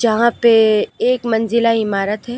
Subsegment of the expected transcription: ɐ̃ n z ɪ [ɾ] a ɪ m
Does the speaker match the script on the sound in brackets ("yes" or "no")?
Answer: no